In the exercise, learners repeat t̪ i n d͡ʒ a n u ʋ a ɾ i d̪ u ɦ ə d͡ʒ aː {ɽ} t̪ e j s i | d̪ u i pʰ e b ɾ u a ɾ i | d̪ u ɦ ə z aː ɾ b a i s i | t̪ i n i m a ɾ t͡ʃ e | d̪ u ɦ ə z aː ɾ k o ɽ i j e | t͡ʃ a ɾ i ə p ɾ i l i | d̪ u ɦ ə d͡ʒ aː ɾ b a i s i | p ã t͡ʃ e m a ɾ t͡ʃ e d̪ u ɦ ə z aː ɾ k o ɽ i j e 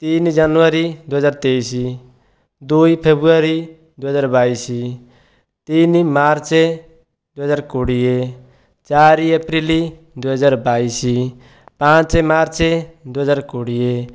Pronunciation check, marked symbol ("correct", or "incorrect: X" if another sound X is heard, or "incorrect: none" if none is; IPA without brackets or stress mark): incorrect: ɾ